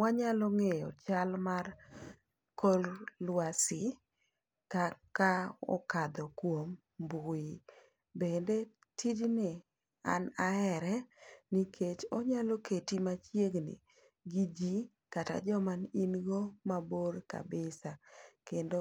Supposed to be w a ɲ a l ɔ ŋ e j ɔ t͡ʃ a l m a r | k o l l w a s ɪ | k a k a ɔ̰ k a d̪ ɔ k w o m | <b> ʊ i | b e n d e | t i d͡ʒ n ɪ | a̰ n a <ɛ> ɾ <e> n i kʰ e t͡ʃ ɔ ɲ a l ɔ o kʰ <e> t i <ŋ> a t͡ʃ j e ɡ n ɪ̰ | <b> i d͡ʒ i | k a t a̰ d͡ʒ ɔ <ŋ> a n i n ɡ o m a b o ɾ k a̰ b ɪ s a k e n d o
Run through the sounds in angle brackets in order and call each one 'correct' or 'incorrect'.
correct, correct, incorrect: ɛ, correct, incorrect: m, incorrect: ɡ, incorrect: m

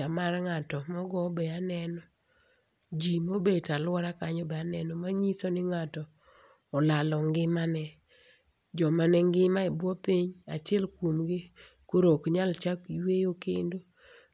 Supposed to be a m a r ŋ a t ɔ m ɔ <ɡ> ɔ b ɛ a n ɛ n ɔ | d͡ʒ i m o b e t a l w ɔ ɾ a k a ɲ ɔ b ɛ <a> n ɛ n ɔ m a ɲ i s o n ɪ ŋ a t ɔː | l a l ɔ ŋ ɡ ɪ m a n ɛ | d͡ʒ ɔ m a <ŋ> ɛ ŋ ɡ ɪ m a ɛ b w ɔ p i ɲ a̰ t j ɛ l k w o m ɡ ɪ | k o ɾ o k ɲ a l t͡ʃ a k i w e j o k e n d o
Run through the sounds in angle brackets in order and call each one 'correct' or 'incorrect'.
correct, correct, incorrect: n

